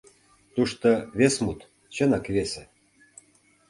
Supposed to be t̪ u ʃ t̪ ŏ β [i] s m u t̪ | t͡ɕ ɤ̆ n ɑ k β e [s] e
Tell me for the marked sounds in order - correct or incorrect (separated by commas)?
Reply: incorrect, correct